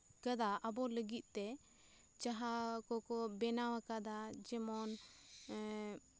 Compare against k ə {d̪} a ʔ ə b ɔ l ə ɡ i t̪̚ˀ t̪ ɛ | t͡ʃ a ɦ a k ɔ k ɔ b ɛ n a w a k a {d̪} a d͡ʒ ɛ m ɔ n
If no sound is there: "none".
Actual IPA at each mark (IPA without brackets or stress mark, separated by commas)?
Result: d̪, d̪